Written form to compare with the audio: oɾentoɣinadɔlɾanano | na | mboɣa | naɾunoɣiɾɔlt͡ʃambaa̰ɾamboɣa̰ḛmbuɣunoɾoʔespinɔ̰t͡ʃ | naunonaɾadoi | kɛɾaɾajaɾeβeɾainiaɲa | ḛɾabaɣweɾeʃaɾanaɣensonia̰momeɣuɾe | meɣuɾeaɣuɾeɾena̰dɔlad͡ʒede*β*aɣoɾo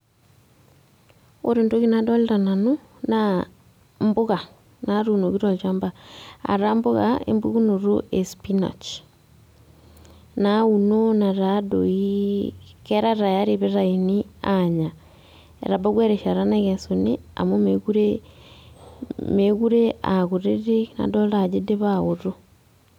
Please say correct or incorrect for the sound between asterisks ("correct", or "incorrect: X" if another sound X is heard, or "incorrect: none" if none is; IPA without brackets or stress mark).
correct